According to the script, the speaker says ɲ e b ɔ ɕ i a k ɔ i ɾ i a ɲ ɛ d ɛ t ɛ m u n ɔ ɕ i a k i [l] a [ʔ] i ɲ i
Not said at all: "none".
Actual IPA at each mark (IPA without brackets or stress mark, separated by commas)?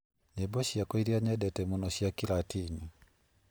l, t